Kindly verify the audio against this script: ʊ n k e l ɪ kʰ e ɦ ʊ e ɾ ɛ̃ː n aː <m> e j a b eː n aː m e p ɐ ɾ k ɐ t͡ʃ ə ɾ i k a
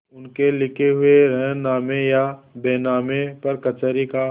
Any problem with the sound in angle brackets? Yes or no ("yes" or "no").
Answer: no